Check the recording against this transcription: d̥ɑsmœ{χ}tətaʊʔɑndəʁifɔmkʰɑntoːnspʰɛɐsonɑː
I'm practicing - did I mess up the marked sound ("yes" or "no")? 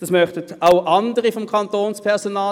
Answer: no